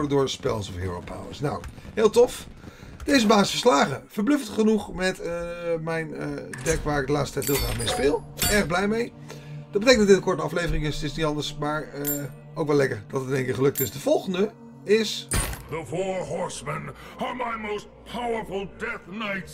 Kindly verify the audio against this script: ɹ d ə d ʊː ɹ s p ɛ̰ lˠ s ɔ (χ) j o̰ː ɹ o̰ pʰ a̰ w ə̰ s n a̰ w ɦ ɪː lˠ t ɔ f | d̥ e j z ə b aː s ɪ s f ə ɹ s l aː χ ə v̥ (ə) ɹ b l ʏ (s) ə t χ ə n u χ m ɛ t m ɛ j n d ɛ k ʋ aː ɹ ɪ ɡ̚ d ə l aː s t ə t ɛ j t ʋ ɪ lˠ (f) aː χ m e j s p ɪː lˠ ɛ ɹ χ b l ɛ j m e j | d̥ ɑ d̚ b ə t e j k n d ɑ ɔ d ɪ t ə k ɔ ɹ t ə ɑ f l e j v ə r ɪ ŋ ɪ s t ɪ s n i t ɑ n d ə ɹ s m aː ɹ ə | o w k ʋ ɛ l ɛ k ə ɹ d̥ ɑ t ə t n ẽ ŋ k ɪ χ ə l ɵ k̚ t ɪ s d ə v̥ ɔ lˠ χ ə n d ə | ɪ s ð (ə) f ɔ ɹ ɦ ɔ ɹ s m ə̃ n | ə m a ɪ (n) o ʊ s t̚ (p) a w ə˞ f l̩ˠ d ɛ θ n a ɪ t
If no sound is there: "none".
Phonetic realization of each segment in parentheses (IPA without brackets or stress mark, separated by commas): f, ə, f, χ, ə, m, pʰ